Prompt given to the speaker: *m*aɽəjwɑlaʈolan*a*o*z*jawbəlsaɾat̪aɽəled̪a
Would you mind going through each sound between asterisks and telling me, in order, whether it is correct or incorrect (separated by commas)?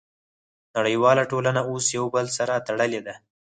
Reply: incorrect, correct, incorrect